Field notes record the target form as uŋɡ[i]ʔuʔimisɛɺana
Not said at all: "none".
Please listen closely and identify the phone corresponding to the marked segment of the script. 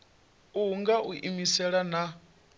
a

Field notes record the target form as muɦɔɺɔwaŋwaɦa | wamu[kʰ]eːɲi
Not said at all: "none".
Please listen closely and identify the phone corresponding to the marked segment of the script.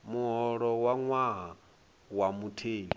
tʰ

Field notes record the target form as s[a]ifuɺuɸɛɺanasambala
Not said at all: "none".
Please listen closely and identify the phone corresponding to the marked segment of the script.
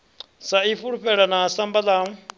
a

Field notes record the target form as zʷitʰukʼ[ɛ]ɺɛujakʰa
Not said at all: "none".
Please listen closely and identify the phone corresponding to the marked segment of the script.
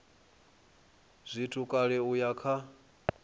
a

